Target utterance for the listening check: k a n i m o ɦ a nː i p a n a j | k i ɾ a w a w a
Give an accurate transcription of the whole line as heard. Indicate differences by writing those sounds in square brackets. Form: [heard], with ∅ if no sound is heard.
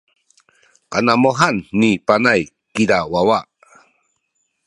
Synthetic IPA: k a n [a] m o ɦ a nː i p a n a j | k i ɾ a w a w a